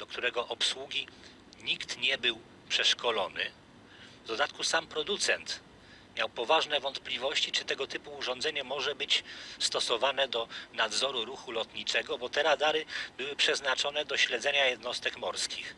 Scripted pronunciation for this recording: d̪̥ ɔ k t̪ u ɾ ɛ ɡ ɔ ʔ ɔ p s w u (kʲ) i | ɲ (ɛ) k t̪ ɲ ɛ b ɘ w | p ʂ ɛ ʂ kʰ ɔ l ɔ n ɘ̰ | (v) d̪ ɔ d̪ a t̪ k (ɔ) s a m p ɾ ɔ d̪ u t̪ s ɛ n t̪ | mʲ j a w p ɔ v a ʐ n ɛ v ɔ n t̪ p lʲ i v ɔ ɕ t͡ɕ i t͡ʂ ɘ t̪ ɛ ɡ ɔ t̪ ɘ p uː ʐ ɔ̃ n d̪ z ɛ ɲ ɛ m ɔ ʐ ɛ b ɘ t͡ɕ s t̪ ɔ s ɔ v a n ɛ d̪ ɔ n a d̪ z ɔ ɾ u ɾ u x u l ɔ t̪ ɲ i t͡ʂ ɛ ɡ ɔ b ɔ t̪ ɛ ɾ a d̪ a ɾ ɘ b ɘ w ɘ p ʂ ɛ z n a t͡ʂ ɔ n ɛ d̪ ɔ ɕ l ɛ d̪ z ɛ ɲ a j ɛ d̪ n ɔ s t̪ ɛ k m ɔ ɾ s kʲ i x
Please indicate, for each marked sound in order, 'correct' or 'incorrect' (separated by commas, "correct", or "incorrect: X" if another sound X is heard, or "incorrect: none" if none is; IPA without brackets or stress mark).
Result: incorrect: ɡʲ, incorrect: i, correct, incorrect: u